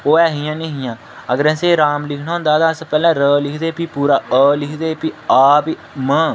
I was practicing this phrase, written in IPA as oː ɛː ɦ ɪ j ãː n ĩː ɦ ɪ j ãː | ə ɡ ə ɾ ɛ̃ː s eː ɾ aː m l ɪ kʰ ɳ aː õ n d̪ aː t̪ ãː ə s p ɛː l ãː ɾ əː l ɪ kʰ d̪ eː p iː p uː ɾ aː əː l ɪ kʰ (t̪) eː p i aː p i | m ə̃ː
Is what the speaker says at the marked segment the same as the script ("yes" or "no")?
no